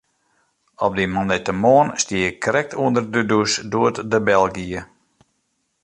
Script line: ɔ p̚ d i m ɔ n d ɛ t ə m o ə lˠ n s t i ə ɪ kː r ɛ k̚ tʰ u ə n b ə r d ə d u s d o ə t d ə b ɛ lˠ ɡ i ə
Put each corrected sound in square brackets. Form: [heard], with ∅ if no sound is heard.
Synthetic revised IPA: ɔ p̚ d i m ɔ n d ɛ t ə m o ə [∅] n s t i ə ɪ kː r ɛ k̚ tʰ u ə n [d] ə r d ə d u s d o ə t d ə b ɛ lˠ ɡ i ə